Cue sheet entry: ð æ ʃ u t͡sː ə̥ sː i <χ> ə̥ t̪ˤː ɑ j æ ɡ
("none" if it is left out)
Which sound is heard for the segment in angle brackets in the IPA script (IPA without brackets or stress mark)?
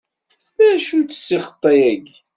χ